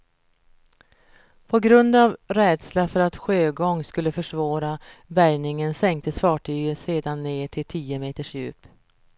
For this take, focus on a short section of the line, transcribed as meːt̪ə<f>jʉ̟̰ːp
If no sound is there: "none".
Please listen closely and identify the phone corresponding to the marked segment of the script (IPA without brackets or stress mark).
ʂ